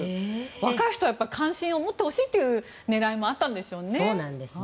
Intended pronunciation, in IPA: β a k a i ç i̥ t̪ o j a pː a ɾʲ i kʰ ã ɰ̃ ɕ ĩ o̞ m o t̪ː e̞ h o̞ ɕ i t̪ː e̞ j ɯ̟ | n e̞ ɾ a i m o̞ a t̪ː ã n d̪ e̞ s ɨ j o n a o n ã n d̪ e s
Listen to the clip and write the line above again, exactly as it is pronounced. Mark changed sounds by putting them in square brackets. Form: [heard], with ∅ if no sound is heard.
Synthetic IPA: β a k a i ç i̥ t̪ o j a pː a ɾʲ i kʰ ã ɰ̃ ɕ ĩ o̞ m o t̪ː e̞ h o̞ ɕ [iː] t̪ː e̞ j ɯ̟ | n e̞ ɾ a i m o̞ a t̪ː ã n d̪ e̞ s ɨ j o n [e] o n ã n d̪ e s